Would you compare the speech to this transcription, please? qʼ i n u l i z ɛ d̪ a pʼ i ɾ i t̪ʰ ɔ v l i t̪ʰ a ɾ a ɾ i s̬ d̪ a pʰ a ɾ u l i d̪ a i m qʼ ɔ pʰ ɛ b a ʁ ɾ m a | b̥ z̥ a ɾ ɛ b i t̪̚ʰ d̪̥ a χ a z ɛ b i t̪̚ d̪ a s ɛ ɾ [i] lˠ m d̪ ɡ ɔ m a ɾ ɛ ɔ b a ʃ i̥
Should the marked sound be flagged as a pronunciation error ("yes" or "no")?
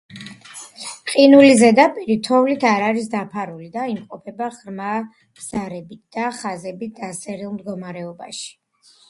no